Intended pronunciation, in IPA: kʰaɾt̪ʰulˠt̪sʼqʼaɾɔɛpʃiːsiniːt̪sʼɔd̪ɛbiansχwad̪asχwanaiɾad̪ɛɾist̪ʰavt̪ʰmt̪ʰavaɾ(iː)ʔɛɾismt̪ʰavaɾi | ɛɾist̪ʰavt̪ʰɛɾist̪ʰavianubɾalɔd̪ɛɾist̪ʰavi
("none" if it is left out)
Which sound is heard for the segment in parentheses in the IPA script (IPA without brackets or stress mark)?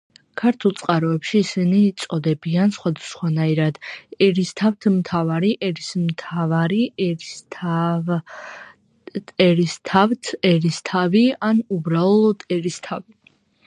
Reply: i